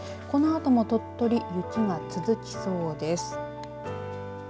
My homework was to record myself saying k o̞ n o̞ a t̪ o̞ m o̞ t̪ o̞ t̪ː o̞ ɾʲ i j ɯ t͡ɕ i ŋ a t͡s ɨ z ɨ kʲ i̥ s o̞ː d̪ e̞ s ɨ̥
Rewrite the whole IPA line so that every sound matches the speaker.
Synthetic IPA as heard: k o̞ n o̞ a t̪ o̞ m o̞ t̪ o̞ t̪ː o̞ ɾʲ i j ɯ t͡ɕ i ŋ a t͡s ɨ z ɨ kʲ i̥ s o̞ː d̪ e̞ s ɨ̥